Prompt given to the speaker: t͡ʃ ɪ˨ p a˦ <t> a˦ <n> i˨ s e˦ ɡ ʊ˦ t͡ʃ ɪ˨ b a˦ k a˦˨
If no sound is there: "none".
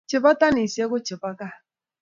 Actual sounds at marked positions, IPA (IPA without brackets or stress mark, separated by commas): t, n